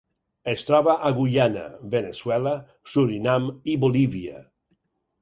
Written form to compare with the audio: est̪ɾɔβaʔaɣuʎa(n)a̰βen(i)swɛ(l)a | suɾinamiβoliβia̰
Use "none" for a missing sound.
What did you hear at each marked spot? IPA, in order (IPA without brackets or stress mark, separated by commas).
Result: n, e, l